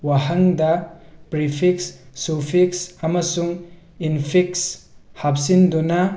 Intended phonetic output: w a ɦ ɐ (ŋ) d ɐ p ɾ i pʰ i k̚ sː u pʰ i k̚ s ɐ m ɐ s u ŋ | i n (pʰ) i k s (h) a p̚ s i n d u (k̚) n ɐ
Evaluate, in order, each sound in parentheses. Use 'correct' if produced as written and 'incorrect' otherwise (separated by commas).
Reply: correct, correct, correct, incorrect